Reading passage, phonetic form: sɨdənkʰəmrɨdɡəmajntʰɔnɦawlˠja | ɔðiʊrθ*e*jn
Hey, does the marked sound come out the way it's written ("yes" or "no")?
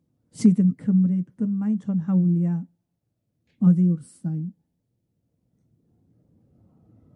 no